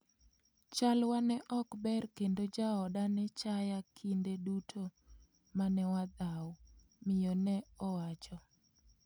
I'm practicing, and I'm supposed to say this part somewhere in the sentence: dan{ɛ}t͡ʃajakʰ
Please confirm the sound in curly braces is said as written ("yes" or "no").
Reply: yes